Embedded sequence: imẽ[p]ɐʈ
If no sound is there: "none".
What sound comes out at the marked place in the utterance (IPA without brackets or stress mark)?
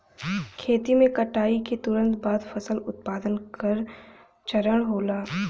k